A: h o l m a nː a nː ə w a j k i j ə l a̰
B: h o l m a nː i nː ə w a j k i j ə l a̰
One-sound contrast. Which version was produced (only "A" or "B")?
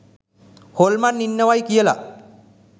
B